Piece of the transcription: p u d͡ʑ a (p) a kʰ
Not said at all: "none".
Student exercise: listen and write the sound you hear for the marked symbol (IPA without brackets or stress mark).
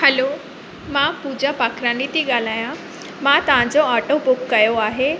p